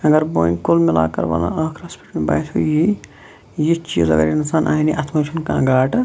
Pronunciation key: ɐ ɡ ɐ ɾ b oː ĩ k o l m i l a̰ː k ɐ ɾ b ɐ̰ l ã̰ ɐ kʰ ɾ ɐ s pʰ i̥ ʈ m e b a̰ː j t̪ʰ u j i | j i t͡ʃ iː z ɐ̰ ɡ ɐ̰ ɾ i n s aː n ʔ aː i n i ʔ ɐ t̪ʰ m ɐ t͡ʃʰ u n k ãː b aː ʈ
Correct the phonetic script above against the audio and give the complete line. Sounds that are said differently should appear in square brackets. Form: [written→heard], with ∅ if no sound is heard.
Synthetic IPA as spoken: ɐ ɡ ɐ ɾ b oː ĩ k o l m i l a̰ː k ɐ ɾ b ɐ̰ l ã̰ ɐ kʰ ɾ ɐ s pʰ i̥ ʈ m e b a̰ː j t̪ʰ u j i | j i t͡ʃ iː z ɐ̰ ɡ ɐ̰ ɾ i n s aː n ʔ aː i n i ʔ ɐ t̪ʰ m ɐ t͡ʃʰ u n k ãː [b→ɡ] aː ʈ